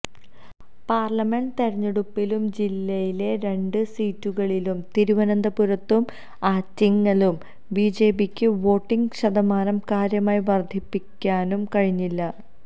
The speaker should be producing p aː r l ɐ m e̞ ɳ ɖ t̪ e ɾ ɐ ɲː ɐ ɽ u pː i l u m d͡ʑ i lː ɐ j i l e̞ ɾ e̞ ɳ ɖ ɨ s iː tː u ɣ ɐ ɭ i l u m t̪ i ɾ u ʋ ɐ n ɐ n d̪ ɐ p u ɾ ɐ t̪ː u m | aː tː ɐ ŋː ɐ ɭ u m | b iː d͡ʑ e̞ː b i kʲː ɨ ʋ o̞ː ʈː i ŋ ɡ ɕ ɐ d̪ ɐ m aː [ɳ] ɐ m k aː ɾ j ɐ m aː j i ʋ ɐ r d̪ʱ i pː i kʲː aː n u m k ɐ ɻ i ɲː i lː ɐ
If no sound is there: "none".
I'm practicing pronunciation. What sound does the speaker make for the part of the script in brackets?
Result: n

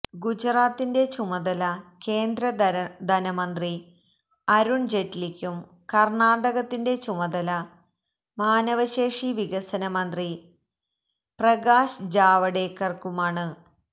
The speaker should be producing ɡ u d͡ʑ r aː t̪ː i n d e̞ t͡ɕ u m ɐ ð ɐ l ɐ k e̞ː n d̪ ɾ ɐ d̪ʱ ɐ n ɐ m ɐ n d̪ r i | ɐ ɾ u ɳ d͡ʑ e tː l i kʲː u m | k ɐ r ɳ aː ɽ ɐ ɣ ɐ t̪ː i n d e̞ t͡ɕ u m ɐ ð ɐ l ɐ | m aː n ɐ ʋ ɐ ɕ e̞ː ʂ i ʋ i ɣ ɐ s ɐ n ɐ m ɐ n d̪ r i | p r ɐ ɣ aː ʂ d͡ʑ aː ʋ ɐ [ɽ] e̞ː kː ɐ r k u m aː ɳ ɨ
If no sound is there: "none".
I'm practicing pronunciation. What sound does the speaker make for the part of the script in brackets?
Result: ɽ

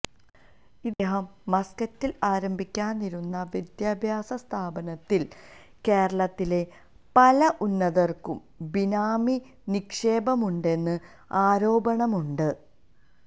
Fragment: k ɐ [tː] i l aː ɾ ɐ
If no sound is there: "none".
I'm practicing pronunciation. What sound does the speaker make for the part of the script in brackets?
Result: tː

